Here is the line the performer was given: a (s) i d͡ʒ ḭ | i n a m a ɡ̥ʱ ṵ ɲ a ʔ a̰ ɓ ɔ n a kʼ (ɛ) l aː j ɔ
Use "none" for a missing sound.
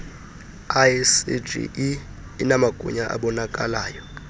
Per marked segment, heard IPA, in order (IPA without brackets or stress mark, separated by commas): s, a